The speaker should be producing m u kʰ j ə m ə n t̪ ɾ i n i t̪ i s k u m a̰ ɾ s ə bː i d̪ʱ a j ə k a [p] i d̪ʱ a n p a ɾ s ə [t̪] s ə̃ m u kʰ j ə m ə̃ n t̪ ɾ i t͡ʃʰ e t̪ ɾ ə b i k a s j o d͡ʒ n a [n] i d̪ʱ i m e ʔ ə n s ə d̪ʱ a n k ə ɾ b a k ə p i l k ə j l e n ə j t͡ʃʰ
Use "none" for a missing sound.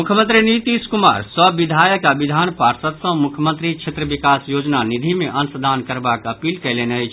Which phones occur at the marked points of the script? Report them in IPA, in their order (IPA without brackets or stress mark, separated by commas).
b, t̪, n